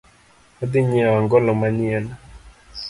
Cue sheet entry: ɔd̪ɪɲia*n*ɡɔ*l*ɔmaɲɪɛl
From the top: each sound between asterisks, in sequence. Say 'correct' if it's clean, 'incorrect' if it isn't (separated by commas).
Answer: incorrect, correct